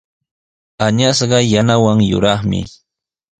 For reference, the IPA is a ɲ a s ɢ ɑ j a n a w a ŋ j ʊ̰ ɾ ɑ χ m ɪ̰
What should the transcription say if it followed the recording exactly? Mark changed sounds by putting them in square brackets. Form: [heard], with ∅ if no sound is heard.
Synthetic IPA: a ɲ a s ɢ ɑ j a n a w a ŋ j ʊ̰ ɾ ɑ χ m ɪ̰